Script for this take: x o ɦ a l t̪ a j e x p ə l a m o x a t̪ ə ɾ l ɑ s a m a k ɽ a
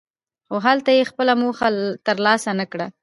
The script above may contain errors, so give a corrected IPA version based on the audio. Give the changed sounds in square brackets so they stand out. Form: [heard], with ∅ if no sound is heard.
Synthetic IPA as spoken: x o ɦ a l t̪ a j e x p ə l a m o x a t̪ ə ɾ l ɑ s a [n] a k ɽ a